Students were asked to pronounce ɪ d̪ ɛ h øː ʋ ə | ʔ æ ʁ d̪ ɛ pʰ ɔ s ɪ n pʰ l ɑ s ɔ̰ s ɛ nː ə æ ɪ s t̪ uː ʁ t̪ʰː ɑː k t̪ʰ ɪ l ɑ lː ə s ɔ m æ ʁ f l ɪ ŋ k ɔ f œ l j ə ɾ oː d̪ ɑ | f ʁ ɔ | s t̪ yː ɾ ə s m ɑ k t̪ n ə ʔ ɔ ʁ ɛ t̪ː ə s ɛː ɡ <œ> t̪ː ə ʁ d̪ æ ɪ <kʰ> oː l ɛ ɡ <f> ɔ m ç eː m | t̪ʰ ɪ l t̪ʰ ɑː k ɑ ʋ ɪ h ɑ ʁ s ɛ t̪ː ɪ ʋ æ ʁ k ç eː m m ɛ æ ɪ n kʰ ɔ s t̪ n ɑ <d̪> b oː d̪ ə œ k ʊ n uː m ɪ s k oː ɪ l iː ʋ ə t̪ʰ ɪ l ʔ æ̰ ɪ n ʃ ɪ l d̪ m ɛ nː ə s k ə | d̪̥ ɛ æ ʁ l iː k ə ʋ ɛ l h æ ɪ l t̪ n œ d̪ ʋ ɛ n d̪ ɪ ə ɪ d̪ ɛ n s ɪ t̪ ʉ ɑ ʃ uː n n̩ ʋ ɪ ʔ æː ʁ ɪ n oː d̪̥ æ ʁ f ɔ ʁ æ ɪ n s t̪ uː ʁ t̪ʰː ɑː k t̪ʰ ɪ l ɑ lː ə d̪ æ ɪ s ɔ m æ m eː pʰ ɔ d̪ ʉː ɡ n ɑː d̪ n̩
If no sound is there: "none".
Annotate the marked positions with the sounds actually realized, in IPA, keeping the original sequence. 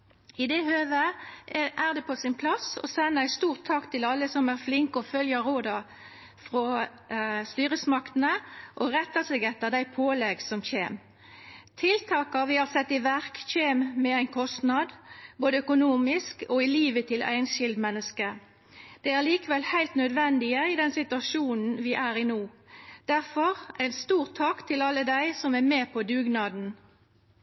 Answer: ɛ, pʰ, s, d̪

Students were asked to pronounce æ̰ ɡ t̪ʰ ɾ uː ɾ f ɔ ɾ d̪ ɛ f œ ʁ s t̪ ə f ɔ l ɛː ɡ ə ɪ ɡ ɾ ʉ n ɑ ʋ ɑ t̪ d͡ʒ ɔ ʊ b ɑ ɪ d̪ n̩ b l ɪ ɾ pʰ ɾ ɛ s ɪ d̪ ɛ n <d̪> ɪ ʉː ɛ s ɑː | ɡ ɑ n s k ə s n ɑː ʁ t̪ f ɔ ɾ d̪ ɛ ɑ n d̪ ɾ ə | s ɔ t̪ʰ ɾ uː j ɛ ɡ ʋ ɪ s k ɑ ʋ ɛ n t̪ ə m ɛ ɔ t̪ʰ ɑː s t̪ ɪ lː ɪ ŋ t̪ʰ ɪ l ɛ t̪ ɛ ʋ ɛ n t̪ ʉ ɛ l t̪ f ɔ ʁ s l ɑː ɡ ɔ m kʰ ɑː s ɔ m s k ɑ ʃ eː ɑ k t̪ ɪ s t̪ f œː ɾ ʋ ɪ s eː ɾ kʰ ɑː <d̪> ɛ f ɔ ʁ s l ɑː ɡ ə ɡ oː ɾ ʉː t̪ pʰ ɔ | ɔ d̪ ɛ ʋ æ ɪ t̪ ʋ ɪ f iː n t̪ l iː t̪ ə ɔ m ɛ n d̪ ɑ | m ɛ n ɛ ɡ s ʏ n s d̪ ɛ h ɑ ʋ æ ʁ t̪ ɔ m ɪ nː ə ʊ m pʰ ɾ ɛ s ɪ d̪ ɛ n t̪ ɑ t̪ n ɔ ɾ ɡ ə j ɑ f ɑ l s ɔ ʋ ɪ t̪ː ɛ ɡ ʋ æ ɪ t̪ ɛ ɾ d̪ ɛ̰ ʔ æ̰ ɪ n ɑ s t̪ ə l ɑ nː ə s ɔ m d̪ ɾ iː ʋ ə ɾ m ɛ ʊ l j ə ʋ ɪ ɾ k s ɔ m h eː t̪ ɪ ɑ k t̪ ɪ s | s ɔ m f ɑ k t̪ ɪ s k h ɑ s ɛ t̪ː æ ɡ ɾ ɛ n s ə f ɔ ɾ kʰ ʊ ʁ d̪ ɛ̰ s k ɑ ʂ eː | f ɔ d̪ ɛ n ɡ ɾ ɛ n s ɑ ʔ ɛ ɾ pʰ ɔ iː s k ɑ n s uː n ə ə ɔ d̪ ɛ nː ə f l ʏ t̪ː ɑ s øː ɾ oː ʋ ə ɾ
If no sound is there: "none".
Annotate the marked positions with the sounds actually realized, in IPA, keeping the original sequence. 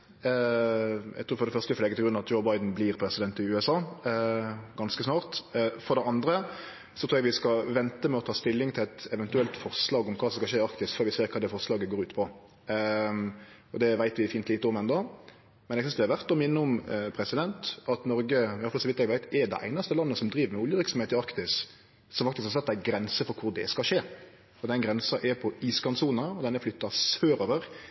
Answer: t̪, d̪

